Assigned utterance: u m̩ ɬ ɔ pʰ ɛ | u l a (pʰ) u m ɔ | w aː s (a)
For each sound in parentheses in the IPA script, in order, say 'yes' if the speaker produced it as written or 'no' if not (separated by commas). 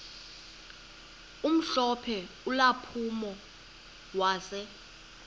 yes, no